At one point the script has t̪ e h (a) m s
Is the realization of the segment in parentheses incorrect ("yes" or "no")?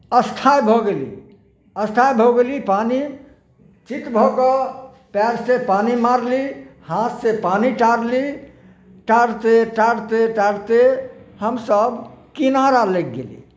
yes